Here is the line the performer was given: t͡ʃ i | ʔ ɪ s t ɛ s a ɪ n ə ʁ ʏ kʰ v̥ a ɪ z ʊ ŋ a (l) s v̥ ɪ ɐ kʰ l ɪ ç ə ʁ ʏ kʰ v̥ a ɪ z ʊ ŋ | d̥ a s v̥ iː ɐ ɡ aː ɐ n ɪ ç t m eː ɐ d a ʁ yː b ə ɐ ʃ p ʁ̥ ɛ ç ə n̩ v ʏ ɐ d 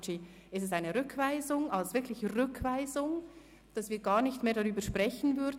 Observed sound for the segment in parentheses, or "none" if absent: l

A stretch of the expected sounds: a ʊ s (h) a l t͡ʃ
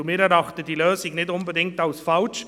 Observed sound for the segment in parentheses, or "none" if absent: f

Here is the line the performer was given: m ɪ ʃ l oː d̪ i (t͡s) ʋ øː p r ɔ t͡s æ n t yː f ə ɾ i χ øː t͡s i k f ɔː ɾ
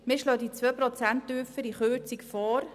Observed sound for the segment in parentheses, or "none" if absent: t͡s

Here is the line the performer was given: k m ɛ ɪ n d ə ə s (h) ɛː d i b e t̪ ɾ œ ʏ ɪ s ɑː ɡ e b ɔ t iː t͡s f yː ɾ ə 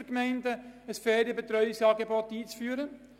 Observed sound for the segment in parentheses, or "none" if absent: f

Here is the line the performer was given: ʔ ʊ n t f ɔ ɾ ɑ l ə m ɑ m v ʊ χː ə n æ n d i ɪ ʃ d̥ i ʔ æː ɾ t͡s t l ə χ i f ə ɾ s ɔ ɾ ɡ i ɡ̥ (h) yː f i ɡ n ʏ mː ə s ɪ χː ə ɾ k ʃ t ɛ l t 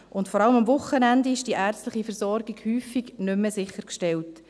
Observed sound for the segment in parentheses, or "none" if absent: h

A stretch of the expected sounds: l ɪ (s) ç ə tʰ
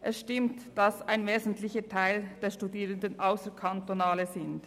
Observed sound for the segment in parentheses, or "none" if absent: none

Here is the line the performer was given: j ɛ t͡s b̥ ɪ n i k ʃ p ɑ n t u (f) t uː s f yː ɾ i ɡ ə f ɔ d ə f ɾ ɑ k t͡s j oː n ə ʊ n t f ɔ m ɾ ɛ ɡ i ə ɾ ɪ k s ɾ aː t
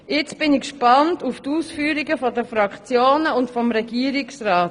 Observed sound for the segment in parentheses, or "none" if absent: f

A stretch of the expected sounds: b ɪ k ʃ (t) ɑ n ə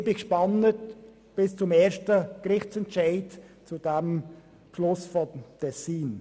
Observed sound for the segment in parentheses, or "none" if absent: p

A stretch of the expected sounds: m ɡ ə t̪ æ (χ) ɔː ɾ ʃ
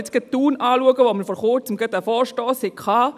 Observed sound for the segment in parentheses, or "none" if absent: f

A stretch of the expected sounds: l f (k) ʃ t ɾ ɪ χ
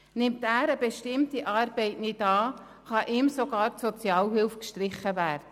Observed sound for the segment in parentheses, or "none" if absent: k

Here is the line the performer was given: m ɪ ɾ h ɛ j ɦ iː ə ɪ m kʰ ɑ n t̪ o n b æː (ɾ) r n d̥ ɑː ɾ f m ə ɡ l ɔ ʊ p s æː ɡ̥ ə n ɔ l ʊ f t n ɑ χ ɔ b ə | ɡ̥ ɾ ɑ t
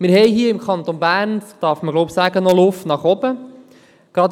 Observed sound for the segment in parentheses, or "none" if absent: none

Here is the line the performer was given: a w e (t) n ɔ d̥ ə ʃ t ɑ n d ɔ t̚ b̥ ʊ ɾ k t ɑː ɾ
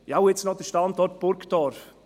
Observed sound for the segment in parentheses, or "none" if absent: t͡s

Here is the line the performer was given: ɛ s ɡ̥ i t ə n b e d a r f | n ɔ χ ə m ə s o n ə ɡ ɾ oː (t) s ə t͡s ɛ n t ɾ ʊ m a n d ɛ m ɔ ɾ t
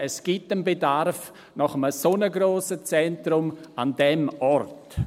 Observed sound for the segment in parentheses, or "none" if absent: none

